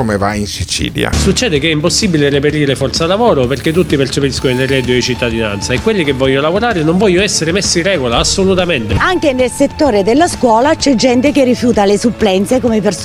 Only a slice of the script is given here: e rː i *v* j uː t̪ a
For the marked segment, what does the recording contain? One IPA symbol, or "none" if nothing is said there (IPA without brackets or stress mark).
f